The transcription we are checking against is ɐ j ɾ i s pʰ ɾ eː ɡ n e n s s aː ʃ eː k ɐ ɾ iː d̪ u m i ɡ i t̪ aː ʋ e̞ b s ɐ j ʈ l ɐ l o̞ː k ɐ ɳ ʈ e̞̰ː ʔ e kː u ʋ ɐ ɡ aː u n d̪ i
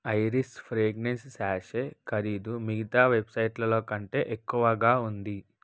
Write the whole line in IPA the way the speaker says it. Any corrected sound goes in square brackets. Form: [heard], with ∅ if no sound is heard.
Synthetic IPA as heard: ɐ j ɾ i s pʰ ɾ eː ɡ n e n s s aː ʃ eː k ɐ ɾ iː d̪ u m i ɡ i t̪ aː ʋ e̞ b s ɐ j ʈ l ɐ l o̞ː k ɐ ɳ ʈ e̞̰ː ʔ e kː u ʋ ɐ ɡ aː u n d̪ i